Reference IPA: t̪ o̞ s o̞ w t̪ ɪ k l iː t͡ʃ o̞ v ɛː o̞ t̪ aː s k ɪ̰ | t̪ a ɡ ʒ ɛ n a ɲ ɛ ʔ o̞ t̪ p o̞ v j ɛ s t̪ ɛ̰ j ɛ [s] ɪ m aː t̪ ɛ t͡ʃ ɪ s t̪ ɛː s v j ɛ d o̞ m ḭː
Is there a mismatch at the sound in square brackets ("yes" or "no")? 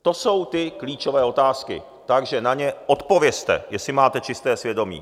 no